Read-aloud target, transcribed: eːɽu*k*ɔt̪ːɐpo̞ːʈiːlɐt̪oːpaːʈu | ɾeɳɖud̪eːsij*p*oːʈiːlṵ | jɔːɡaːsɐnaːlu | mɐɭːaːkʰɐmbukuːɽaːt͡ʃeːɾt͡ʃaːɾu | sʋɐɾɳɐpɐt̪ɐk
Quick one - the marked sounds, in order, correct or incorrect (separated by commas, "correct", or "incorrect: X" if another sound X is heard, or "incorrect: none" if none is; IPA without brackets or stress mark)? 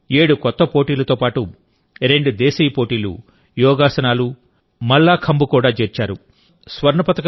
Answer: correct, correct